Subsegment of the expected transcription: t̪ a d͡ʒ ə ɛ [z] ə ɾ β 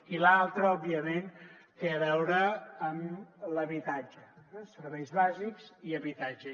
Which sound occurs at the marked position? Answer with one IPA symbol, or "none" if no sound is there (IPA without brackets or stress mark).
s